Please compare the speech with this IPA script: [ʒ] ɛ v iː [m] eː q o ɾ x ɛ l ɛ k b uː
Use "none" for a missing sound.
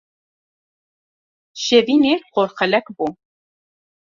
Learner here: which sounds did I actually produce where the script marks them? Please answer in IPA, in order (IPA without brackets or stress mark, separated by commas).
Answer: ʃ, n